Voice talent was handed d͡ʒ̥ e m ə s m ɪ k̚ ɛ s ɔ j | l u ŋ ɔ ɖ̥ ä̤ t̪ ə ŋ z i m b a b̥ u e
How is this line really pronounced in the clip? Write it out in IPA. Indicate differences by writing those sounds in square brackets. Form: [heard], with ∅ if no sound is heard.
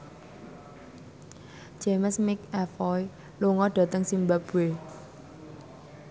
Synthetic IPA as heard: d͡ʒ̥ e m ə s m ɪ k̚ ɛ [f] ɔ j | l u ŋ ɔ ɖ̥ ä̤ t̪ ə ŋ [s] i m b a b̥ u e